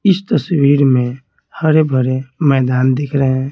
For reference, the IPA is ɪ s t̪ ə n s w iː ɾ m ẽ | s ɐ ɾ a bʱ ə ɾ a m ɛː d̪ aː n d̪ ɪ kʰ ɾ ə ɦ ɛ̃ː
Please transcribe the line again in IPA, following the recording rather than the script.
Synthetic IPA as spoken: ɪ s t̪ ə s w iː ɾ m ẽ | h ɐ ɾ e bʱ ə ɾ e m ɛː d̪ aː n d̪ ɪ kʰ ɾ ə ɦ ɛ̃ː